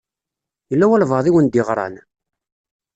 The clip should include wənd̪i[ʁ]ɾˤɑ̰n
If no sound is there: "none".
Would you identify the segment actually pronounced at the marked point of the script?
ʁ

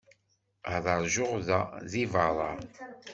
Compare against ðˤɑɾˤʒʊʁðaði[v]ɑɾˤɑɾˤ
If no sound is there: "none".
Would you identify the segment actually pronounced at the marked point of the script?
v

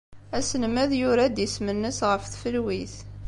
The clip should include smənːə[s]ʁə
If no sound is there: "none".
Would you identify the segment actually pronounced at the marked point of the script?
s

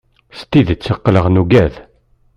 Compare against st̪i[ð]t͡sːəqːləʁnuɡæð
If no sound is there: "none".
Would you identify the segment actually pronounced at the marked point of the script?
ð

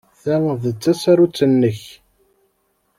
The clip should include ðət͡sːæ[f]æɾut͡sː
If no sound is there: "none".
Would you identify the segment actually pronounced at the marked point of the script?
s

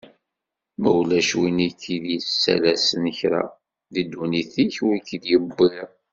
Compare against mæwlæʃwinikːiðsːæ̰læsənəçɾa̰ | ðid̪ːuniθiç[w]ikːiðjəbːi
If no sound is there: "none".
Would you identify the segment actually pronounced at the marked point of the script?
w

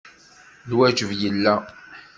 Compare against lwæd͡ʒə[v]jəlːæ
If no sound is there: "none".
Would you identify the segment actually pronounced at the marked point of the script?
v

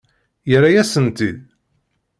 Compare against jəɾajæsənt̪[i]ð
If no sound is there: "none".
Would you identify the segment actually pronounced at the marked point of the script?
i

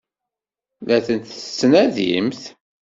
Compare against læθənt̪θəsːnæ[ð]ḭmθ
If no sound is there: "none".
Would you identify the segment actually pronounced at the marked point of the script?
ð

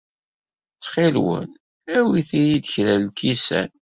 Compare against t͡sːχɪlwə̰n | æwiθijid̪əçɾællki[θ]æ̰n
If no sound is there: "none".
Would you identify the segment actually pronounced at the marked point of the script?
s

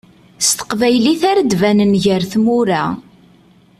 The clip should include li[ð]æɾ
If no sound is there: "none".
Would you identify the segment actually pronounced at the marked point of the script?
θ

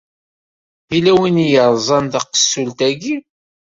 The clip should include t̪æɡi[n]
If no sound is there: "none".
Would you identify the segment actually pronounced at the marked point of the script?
none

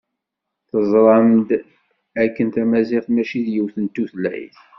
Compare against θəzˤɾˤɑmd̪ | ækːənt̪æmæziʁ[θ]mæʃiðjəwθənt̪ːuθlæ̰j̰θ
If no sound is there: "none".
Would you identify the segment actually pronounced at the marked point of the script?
θ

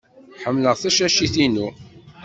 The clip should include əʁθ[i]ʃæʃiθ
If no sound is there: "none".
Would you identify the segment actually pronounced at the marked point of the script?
æ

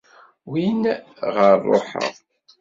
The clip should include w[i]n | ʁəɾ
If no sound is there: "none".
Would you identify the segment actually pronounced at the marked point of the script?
i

